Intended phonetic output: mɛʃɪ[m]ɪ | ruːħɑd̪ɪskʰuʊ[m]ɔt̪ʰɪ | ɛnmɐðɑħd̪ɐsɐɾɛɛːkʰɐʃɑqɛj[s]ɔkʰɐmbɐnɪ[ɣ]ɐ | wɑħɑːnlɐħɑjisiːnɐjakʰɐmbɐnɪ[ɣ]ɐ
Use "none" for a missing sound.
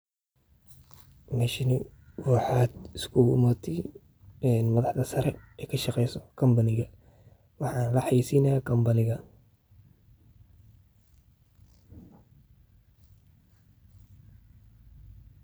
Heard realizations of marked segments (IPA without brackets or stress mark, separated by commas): n, m, s, ɣ, ɣ